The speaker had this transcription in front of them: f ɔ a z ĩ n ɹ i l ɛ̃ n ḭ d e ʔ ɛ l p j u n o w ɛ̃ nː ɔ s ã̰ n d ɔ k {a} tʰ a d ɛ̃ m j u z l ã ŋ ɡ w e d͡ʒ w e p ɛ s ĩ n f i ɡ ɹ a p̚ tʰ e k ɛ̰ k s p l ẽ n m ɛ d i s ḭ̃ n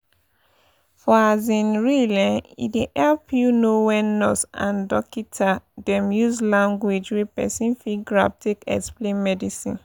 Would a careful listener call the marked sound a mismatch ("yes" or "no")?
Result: yes